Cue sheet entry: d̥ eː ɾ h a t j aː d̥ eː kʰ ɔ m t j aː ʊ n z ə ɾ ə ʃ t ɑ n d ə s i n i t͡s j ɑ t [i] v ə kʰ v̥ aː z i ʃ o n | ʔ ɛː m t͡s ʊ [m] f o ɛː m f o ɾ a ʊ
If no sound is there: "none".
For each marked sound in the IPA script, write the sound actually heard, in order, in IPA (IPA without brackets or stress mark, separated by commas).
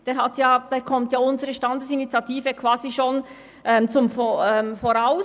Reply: iː, m